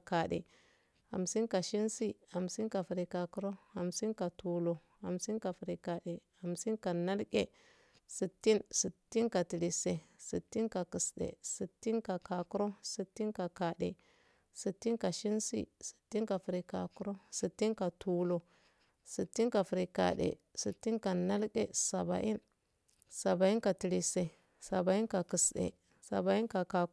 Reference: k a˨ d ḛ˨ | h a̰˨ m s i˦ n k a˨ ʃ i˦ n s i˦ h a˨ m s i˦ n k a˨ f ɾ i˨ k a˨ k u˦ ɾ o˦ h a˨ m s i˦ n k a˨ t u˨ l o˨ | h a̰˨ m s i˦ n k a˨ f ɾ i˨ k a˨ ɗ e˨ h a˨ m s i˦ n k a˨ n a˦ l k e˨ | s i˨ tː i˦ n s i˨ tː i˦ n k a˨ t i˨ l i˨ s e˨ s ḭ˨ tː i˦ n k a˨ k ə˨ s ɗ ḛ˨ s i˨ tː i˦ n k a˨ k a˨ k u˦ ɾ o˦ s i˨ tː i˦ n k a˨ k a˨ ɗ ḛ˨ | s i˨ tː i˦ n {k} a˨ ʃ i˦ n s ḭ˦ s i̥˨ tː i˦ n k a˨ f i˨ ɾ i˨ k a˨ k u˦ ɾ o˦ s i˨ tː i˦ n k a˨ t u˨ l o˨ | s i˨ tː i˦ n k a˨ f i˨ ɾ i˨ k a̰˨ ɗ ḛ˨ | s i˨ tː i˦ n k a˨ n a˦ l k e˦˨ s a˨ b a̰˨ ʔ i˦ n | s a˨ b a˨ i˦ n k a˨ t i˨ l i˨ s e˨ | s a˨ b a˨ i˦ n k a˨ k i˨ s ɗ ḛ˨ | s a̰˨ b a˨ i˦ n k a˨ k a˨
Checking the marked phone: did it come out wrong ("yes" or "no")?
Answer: no